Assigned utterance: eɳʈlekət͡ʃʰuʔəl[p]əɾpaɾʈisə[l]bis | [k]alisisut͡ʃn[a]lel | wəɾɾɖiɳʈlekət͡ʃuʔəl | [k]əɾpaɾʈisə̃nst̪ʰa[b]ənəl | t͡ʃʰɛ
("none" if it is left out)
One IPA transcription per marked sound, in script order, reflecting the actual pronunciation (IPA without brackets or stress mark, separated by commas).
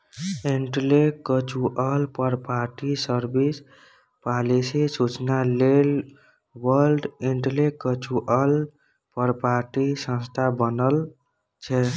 p, ɾ, p, a, p, b